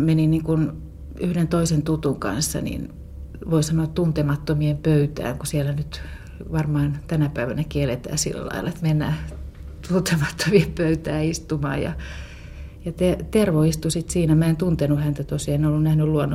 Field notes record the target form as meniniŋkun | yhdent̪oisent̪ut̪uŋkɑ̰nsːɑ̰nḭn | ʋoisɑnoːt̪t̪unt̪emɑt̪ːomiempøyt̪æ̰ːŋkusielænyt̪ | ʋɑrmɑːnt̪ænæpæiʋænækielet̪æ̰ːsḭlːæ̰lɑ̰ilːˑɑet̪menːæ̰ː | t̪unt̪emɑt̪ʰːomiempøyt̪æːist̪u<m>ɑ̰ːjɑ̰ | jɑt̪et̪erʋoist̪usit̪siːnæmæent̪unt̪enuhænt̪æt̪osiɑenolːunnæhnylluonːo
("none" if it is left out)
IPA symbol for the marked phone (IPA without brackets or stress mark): m